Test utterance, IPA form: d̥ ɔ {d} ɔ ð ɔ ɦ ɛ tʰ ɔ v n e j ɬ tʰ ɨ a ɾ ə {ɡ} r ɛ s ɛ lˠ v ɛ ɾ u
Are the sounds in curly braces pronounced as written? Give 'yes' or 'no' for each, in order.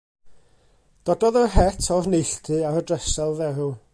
yes, no

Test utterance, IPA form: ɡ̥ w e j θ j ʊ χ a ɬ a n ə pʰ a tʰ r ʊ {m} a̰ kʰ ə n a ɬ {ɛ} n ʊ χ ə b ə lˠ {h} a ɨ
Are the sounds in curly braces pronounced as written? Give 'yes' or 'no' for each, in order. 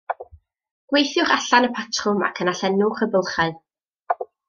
yes, yes, no

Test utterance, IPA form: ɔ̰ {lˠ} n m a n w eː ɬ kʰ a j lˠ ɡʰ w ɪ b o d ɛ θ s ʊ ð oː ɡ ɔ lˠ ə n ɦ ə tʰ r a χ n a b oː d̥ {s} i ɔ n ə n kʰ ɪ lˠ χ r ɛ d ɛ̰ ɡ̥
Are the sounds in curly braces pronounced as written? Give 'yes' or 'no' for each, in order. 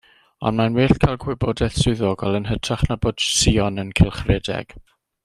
no, yes

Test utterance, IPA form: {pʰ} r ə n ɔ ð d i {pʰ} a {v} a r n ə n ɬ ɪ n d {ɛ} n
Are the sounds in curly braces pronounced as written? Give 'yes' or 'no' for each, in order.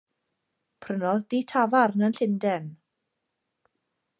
yes, no, yes, yes

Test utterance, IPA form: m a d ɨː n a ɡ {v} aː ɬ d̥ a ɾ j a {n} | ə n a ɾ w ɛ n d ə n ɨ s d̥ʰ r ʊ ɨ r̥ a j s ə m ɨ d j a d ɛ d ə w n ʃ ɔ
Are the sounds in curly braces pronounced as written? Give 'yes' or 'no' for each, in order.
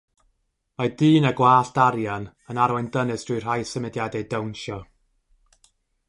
no, yes

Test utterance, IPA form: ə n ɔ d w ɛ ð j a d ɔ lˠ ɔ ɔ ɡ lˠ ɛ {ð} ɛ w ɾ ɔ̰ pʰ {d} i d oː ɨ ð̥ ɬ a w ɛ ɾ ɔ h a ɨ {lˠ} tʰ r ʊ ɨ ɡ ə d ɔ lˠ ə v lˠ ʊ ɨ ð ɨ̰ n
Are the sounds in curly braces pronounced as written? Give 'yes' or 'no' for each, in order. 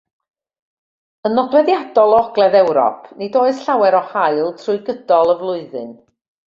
yes, no, yes

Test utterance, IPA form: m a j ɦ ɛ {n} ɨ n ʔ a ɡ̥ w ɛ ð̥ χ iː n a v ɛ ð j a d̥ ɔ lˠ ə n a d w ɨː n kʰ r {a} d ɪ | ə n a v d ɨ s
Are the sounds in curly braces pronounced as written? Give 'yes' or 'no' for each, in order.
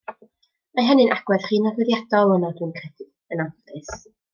yes, no

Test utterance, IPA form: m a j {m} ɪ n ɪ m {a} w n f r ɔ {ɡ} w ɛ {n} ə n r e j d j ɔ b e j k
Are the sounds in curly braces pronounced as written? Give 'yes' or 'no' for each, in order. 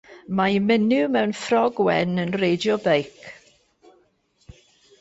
yes, no, yes, yes

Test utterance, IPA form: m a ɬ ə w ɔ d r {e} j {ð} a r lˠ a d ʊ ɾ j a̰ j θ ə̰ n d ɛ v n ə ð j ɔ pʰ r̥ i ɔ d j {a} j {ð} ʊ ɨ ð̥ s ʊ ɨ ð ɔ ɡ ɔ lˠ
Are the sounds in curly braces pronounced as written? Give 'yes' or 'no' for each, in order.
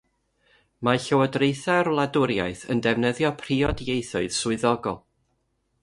yes, no, no, no

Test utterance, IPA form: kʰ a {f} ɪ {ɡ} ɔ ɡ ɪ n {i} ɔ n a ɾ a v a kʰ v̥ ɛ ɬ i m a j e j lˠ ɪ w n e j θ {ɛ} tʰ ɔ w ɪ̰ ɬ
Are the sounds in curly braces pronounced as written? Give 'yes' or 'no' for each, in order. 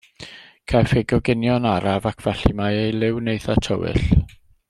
yes, yes, no, no

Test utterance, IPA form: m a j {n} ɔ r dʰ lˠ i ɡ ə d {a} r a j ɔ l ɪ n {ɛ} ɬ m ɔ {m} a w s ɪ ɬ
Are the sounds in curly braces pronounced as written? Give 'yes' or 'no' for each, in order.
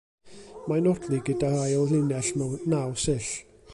yes, yes, yes, no

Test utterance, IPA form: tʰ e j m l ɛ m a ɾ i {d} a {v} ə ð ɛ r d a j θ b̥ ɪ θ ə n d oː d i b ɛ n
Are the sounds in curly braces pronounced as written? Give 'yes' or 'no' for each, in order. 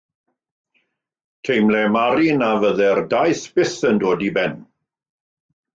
no, yes

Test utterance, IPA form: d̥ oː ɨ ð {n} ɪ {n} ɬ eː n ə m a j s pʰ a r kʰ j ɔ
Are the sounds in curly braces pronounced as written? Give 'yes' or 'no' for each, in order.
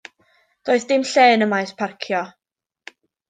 no, no

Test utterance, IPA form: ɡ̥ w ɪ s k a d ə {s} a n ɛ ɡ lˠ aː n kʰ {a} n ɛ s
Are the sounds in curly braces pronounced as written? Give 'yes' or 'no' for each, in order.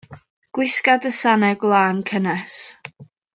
yes, no

